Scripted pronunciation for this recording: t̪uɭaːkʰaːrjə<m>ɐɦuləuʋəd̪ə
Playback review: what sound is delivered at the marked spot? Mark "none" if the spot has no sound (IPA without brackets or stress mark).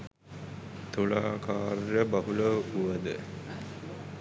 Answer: b